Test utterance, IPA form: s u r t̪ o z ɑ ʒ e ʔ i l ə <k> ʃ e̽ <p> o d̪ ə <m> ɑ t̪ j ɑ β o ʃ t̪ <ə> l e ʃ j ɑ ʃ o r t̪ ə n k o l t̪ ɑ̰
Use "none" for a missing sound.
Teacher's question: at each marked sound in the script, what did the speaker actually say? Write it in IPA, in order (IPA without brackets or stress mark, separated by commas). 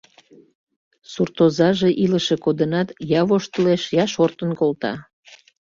none, k, n, ə